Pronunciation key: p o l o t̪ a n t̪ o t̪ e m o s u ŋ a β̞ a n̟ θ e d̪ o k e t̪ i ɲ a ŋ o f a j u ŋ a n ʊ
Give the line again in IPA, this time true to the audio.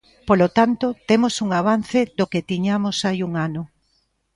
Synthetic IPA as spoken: p o l o t̪ a n t̪ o t̪ e m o s u ŋ a β̞ a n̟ θ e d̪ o k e t̪ i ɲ a m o s a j u ŋ a n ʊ